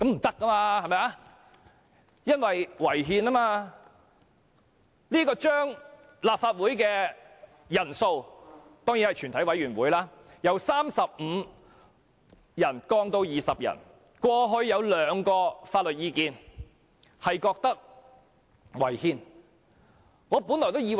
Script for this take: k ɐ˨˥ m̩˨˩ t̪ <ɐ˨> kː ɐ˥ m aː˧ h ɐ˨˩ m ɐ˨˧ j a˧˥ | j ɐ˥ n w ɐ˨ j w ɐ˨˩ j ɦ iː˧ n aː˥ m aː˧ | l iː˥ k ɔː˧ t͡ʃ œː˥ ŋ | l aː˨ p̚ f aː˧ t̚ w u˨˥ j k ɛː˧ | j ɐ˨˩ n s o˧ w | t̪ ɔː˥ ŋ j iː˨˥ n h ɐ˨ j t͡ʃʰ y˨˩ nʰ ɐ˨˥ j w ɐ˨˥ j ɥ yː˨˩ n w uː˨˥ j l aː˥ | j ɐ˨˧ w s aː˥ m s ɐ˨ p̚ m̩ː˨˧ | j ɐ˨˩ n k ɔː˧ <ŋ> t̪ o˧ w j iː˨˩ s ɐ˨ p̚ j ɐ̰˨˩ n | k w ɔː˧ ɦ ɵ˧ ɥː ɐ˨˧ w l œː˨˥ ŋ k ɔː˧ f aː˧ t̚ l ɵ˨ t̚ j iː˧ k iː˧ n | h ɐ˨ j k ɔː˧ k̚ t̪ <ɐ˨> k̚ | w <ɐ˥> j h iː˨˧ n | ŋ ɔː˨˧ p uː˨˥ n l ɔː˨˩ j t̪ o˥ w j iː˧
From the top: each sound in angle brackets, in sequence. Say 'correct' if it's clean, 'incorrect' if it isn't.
incorrect: ɐ˥, correct, incorrect: ɐ˥, incorrect: ɐ˨˩

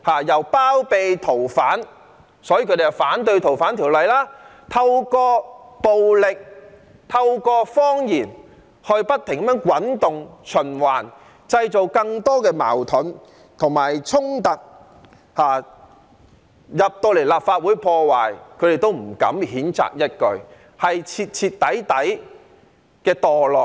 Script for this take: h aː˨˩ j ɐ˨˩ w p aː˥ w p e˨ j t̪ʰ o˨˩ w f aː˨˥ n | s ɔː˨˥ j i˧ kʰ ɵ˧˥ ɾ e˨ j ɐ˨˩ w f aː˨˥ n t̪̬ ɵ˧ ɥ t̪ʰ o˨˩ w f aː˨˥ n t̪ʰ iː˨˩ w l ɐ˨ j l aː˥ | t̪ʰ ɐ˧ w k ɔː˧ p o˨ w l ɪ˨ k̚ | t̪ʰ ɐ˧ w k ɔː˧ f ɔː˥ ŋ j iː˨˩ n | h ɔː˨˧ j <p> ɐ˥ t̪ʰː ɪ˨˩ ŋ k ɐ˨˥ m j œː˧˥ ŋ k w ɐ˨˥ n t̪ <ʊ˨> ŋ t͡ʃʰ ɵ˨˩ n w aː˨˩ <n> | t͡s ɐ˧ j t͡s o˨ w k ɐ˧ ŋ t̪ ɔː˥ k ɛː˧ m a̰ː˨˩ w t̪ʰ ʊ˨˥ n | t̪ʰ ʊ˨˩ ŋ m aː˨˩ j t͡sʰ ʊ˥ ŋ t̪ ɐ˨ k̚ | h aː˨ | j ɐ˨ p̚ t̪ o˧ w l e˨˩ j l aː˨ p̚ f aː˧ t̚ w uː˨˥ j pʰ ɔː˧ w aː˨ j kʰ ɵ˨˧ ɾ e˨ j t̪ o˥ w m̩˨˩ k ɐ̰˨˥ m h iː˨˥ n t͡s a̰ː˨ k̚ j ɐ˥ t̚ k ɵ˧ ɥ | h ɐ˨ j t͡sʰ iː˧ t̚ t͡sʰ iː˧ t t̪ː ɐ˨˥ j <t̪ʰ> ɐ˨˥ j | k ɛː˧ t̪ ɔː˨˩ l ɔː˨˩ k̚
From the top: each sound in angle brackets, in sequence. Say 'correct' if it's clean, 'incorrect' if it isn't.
correct, correct, correct, incorrect: t̪

